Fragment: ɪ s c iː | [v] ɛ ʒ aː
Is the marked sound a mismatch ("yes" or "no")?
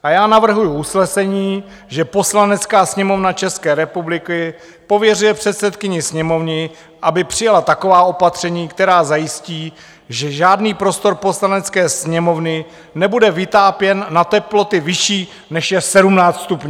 yes